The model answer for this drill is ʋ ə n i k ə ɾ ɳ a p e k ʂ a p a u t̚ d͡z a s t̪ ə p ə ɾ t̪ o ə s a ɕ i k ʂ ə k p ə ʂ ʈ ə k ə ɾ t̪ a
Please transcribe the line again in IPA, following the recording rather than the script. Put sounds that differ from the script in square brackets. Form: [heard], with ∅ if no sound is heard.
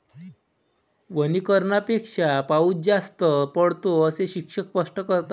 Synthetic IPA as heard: ʋ ə n i k ə ɾ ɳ a p e k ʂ a p a u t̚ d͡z a s t̪ ə p ə [ɽ] t̪ o ə s [e] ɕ i k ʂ ə k p ə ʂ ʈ ə k ə ɾ t̪ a

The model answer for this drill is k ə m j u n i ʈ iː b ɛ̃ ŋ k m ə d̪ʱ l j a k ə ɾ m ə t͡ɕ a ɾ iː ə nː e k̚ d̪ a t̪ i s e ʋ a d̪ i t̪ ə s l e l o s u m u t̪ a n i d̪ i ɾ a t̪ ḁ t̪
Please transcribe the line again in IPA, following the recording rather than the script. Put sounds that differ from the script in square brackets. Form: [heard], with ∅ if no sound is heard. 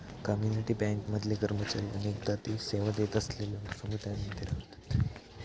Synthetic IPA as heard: k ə m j u n i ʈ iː b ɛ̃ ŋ k m ə d̪ʱ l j [e] k ə ɾ m ə t͡ɕ a ɾ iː ə [n] e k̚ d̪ a t̪ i s e ʋ a d̪ [e] t̪ ə s l e l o s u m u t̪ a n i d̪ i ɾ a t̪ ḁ t̪

